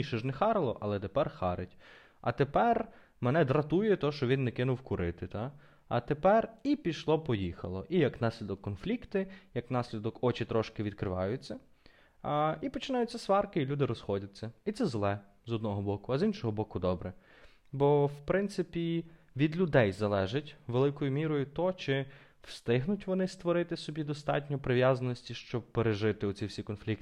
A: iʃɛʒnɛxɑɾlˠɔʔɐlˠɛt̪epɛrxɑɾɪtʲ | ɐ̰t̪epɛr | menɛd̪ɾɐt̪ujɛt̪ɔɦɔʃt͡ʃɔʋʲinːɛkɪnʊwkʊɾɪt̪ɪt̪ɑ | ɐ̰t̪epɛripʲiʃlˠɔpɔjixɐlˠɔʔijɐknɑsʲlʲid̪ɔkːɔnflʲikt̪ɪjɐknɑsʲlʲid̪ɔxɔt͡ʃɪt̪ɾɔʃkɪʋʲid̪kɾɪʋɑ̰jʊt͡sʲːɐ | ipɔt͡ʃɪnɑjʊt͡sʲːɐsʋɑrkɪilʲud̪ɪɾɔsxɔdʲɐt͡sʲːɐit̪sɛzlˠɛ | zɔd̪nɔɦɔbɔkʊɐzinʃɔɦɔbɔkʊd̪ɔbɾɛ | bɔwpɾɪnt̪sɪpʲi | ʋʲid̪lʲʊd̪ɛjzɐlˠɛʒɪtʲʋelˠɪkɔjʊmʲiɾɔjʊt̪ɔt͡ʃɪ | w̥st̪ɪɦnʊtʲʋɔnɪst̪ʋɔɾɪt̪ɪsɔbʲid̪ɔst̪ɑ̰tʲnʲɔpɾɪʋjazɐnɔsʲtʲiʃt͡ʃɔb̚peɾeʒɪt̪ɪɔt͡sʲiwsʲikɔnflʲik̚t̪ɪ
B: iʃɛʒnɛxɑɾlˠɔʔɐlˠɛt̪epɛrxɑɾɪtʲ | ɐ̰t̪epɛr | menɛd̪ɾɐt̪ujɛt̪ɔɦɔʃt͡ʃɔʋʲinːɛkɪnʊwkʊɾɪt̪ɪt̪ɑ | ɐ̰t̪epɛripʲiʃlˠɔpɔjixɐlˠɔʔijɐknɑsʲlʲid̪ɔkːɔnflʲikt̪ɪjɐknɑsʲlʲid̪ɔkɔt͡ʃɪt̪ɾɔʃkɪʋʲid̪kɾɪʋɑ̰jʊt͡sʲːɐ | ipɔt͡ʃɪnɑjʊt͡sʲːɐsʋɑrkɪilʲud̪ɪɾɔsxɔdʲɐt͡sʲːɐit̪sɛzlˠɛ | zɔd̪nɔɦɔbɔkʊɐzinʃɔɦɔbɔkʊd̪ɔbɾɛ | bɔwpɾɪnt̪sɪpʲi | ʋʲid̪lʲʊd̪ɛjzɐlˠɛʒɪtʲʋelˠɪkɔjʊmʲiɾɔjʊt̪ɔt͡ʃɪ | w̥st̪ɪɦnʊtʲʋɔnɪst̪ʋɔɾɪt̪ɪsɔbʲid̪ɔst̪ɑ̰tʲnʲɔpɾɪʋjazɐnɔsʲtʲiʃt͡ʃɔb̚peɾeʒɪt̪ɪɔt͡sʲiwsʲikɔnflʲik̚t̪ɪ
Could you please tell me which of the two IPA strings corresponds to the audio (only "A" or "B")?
B